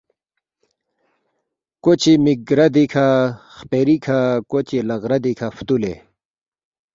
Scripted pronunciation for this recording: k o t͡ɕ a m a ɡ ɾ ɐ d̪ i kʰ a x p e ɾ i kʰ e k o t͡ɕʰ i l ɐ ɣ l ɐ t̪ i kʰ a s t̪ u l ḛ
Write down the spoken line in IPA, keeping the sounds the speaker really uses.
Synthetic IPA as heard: k o t͡ɕ i m i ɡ ɾ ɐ d̪ i kʰ a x p e ɾ i kʰ a k o t͡ɕ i l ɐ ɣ ɾ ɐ d̪ i kʰ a f t̪ u l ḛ